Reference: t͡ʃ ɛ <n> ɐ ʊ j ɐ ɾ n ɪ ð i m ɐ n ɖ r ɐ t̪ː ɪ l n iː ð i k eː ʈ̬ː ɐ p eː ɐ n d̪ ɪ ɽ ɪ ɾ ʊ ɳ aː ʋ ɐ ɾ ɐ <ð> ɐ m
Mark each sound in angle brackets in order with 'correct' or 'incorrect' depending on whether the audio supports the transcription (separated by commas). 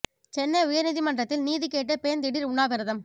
incorrect, correct